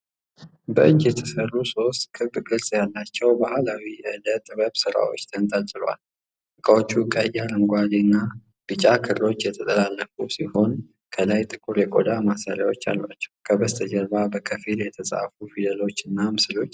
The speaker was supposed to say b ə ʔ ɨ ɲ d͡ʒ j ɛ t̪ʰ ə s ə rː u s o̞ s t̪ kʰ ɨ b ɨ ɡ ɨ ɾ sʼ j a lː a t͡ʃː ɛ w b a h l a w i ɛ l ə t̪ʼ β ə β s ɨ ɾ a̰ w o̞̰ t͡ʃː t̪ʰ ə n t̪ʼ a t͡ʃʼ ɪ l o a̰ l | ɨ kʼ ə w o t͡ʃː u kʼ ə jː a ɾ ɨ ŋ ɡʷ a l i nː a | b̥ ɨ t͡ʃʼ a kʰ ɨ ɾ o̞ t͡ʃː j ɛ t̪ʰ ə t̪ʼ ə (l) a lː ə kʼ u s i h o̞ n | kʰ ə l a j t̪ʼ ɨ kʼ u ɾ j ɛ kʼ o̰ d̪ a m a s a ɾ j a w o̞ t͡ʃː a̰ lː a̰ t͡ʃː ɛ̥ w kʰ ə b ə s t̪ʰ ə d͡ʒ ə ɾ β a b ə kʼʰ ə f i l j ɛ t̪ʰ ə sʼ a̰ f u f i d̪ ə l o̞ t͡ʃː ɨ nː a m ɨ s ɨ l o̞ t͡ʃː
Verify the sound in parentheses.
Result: correct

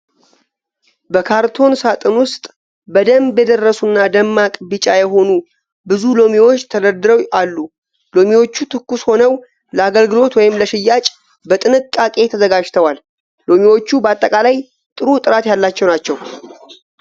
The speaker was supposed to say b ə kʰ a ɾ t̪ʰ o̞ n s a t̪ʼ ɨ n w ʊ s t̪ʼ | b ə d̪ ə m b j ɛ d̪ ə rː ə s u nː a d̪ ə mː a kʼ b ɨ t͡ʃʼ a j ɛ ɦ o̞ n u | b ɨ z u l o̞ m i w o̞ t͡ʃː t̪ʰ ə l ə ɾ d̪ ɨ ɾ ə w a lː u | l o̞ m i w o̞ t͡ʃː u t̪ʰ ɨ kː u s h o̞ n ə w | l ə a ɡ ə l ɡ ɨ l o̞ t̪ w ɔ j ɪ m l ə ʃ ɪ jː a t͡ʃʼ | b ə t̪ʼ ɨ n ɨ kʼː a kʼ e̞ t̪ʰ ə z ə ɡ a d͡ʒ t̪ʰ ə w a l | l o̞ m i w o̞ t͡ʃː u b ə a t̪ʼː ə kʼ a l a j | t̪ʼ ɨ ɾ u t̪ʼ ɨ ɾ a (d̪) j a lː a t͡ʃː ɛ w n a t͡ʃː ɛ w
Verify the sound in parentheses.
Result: incorrect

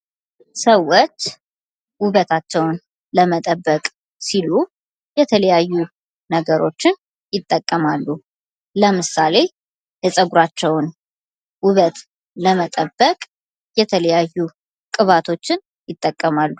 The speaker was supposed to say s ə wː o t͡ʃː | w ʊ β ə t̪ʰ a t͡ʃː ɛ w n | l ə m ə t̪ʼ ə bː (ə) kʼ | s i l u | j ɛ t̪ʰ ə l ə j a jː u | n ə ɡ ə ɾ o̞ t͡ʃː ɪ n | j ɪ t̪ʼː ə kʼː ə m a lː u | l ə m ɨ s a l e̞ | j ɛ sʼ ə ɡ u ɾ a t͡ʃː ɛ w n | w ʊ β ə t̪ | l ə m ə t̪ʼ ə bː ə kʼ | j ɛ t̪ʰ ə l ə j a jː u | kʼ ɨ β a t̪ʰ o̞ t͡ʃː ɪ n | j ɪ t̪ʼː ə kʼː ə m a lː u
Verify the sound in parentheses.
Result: correct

